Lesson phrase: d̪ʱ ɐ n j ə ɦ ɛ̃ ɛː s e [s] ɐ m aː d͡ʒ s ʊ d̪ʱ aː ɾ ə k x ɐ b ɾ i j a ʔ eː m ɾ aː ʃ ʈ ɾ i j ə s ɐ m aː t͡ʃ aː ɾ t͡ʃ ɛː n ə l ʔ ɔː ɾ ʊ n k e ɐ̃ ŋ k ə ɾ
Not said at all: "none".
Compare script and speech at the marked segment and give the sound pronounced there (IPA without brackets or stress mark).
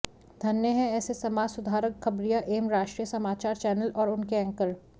s